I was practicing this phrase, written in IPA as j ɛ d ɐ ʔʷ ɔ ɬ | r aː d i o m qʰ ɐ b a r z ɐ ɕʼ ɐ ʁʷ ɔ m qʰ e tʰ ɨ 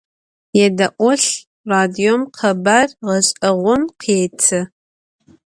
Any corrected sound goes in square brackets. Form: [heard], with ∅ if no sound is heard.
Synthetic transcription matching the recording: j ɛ d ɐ ʔʷ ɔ ɬ | r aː d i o m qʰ ɐ b a r [ʁ] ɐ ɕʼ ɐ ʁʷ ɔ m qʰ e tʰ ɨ